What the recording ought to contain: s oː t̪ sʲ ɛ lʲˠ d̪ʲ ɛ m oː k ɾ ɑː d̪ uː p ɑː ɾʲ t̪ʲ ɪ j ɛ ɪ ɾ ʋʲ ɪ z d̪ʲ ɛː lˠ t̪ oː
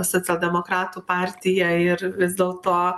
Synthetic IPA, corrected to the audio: s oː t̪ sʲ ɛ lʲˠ d̪ʲ ɛ m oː k ɾ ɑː t̪ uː p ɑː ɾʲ t̪ʲ ɪ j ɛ ɪ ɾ ʋʲ ɪ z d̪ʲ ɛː lˠ t̪ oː